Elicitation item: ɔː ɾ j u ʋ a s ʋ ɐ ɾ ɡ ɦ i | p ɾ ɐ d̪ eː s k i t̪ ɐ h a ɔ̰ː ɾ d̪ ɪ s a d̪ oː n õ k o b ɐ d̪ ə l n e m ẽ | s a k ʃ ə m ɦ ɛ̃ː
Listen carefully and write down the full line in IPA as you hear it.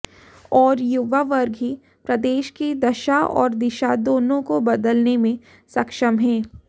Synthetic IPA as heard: ɔː ɾ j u ʋ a ʋ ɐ ɾ ɡ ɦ i | p ɾ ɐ d̪ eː ʃ k i d̪ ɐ ʃ a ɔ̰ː ɾ d̪ ɪ ʃ a d̪ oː n õ k o b ɐ d̪ ə l n e m ẽ | s ɐ k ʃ ə m ɦ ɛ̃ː